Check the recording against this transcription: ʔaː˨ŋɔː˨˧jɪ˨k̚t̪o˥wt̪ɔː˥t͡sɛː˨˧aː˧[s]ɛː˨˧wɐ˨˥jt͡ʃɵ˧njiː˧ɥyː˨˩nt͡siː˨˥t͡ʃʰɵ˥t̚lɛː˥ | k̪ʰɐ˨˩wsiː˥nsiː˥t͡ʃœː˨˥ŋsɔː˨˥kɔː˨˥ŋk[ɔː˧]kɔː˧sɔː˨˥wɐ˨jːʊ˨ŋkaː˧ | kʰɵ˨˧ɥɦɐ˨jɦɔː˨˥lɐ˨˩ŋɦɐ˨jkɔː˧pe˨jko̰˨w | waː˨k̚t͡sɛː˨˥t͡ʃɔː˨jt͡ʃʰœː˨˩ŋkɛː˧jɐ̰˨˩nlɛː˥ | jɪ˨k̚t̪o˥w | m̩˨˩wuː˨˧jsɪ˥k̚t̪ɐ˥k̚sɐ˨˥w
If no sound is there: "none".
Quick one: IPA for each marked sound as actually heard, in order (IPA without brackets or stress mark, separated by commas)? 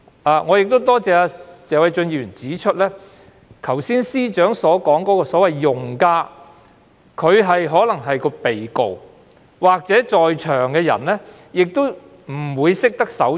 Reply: t͡s, ɔː˨˥